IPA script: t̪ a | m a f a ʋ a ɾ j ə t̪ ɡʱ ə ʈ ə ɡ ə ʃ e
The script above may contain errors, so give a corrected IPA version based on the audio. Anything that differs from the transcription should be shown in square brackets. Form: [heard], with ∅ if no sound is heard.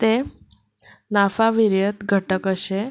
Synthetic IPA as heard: t̪ [e] | [n] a f a ʋ [i] ɾ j ə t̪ ɡʱ ə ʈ ə [k] ə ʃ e